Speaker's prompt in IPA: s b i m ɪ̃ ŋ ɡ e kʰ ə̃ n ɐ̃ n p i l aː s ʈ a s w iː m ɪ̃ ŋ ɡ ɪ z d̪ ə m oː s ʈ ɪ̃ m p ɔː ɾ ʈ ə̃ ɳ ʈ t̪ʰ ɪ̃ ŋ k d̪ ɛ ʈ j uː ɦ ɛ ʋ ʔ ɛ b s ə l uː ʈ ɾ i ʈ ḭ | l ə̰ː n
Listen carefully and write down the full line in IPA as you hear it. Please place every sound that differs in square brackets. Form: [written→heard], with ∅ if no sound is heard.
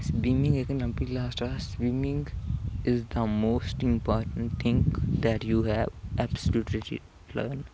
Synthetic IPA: s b i m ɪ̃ ŋ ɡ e [kʰ→k] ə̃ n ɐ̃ [n→m] p i l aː s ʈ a s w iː m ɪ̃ ŋ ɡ ɪ z d̪ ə m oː s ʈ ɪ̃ m p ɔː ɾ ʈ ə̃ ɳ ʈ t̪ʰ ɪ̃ ŋ k d̪ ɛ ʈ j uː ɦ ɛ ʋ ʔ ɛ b s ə l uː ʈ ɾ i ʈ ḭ | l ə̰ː n

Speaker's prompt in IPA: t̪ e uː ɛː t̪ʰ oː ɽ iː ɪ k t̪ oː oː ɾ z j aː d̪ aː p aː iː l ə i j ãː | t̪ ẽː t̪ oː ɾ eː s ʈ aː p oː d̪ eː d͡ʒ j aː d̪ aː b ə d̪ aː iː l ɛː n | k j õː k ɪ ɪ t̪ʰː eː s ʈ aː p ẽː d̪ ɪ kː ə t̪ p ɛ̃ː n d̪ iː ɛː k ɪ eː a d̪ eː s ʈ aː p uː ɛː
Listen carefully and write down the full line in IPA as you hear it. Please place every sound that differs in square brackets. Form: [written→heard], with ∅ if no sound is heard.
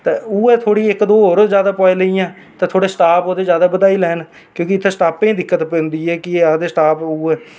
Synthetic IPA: t̪ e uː ɛː t̪ʰ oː ɽ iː ɪ k [t̪→d̪] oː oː ɾ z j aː d̪ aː p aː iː l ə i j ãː | t̪ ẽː [t̪→t̪ʰ] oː [ɾ→ɽ] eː s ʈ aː p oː d̪ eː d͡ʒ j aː d̪ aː b ə d̪ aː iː l ɛː n | k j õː k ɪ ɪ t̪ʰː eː s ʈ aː p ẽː d̪ ɪ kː ə t̪ p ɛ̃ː n d̪ iː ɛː k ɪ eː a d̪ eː s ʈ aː p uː ɛː

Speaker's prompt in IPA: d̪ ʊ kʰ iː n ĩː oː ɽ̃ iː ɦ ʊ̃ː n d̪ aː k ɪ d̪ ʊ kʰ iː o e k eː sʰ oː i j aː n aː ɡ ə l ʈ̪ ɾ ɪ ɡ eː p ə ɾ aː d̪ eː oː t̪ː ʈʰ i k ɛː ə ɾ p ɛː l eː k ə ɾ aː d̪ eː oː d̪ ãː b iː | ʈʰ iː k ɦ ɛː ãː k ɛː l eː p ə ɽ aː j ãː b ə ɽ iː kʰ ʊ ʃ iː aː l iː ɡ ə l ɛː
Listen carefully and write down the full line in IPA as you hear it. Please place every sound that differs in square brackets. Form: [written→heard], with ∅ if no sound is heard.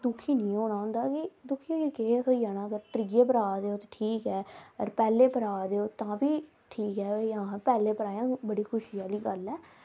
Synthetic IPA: d̪ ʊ kʰ iː n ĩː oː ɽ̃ [iː→aː] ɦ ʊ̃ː n d̪ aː k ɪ d̪ ʊ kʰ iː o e k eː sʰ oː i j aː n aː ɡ ə [l→ɾ] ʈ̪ ɾ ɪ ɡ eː p ə ɾ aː d̪ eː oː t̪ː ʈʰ [i→iː] k ɛː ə ɾ p ɛː l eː [k→p] ə ɾ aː d̪ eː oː [d̪→t̪] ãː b iː | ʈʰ iː k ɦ ɛː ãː [k→p] ɛː l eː p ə [ɽ→ɾ] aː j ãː b ə ɽ iː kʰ ʊ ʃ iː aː l iː ɡ ə l ɛː

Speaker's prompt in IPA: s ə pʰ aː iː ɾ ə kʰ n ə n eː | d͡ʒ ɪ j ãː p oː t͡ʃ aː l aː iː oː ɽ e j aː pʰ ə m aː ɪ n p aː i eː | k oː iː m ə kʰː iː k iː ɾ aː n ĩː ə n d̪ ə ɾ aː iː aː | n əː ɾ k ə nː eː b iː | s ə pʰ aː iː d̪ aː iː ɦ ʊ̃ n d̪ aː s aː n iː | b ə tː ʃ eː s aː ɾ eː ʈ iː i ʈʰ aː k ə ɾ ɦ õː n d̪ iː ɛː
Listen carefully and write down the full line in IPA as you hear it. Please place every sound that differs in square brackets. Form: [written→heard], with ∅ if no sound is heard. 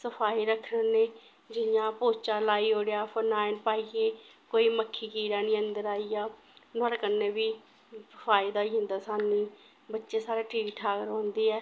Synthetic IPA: s ə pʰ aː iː ɾ ə kʰ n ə n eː | d͡ʒ ɪ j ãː p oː t͡ʃ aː l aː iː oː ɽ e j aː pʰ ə [m→n] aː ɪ n p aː i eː | k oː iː m ə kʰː iː k iː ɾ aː n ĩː ə n d̪ ə ɾ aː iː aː | n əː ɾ k ə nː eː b iː | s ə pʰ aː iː d̪ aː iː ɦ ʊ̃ n d̪ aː s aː n iː | b ə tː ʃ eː s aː ɾ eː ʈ iː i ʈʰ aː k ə ɾ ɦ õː n d̪ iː ɛː

